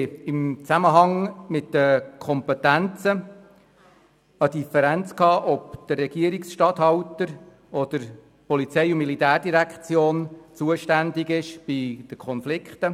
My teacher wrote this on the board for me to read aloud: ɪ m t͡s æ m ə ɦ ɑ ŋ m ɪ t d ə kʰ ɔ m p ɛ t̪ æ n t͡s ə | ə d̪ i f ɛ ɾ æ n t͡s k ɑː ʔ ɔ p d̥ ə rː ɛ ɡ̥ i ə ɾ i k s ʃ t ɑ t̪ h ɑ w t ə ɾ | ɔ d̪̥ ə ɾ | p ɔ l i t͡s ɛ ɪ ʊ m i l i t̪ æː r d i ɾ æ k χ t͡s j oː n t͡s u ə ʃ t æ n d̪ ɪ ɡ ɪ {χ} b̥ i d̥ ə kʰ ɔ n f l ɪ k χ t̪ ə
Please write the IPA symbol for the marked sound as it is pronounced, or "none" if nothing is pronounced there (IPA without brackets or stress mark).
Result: ʃ